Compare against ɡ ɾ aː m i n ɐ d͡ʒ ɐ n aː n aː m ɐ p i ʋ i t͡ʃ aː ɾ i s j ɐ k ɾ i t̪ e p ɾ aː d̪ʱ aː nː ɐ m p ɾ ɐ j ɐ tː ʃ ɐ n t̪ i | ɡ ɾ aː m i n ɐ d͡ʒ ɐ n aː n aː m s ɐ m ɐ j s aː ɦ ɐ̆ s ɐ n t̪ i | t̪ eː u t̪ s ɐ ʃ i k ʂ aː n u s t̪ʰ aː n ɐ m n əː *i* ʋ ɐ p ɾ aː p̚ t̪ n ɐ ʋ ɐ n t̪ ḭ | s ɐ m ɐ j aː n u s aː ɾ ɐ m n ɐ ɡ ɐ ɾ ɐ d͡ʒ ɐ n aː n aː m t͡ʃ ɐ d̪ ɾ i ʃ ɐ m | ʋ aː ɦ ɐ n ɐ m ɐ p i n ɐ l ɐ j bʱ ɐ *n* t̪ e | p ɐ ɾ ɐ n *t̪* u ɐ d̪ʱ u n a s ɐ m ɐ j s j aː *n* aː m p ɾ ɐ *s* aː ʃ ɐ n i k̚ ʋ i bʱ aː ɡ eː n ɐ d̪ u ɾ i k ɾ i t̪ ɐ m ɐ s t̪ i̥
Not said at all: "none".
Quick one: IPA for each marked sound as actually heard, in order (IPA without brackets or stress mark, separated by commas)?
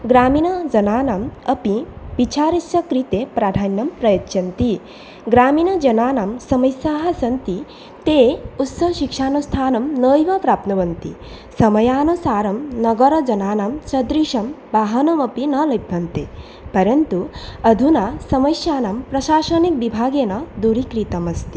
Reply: j, n, t̪, n, ʃ